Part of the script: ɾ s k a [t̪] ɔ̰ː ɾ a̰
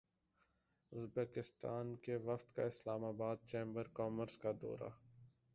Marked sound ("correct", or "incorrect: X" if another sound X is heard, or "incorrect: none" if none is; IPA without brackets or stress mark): incorrect: d̪